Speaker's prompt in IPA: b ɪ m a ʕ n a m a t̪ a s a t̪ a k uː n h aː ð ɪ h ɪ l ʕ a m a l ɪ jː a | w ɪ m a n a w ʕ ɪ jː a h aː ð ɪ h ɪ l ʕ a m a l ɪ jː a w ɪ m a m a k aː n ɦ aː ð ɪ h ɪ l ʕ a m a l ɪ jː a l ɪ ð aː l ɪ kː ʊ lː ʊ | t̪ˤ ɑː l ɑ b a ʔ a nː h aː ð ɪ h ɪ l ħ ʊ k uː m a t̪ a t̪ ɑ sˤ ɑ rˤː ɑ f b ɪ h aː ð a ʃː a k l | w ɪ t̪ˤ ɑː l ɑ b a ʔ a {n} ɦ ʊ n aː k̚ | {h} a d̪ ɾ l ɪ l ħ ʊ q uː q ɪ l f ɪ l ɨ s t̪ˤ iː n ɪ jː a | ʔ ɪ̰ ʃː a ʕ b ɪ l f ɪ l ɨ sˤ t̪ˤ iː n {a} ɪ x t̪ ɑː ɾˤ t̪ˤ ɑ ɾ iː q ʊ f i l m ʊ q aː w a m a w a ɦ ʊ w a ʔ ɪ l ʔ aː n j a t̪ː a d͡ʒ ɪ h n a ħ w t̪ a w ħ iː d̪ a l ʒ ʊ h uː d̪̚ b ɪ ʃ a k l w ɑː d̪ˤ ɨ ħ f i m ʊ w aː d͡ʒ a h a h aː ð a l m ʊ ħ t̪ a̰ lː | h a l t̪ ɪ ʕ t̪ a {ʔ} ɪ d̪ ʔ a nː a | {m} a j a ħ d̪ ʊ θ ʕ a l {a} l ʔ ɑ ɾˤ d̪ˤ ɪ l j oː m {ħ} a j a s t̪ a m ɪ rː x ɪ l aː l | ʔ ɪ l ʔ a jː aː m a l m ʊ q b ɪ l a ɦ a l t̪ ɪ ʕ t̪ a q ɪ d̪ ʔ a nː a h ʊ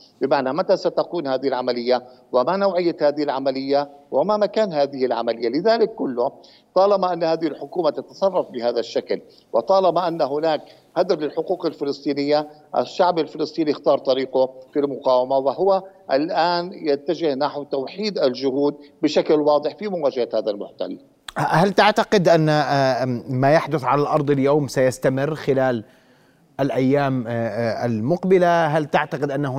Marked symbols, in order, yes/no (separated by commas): no, yes, no, no, yes, yes, no